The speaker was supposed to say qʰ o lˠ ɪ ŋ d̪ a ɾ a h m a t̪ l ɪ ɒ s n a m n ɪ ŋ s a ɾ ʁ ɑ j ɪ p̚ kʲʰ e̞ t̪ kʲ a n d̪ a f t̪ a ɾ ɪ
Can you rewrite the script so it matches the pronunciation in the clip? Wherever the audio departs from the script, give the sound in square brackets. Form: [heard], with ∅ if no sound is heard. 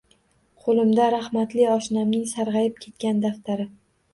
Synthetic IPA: qʰ o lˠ ɪ [m] d̪ a ɾ a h m a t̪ l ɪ ɒ [ʃ] n a m n ɪ ŋ s a ɾ ʁ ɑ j ɪ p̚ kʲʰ e̞ t̪ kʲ a n d̪ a f t̪ a ɾ ɪ